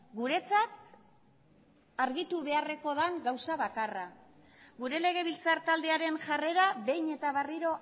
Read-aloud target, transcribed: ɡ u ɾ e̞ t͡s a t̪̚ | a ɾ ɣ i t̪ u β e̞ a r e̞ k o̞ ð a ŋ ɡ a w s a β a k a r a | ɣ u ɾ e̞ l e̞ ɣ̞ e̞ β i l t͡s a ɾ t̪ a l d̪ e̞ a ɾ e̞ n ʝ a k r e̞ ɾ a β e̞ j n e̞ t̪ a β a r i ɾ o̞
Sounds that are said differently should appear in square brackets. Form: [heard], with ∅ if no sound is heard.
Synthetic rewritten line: ɡ u ɾ e̞ t͡s a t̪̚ | a ɾ ɣ i t̪ u β e̞ a r e̞ k o̞ ð a ŋ ɡ a w s a β a k a r a | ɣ u ɾ e̞ l e̞ ɣ̞ e̞ β i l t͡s a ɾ t̪ a l d̪ e̞ a ɾ e̞ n ʝ a [∅] r e̞ ɾ a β e̞ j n e̞ t̪ a β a r i ɾ o̞